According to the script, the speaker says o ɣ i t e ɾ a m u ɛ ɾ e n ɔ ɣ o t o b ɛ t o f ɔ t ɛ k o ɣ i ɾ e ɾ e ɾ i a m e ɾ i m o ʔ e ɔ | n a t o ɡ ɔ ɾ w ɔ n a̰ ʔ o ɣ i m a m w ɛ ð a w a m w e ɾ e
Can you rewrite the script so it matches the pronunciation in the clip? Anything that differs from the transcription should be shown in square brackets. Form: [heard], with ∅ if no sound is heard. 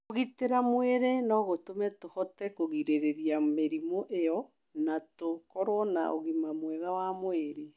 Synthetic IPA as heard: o ɣ i t e ɾ a m [w] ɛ ɾ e n ɔ ɣ o t o [m] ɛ t o [h] ɔ t ɛ k o ɣ i ɾ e ɾ e ɾ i a m e ɾ i m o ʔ e ɔ | n a t o [k] ɔ ɾ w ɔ n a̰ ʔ o ɣ i m a m w ɛ ð a w a m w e ɾ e